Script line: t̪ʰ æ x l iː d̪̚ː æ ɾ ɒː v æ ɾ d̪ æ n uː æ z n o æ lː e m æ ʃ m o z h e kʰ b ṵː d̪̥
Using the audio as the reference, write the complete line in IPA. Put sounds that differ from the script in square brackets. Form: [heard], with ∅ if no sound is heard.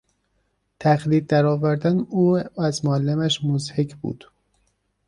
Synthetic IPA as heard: t̪ʰ æ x l iː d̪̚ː æ ɾ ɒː v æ ɾ d̪ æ n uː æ z [m] o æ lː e m æ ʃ m o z h e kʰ b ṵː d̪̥